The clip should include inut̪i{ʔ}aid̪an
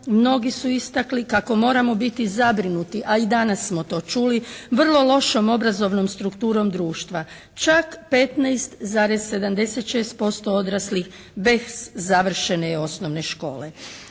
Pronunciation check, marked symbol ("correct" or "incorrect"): correct